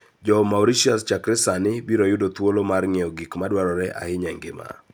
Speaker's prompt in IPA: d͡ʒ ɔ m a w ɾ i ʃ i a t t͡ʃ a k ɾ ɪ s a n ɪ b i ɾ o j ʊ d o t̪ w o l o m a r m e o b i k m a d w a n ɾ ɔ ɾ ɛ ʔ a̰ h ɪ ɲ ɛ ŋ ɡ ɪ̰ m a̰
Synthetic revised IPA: d͡ʒ ɔ m a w ɾ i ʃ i a s t͡ʃ a k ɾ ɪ s a n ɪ b i ɾ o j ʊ d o t̪ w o l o m a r ŋ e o ɡ i k m a d w a ɾ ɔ ɾ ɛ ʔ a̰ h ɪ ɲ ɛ ŋ ɡ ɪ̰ m a̰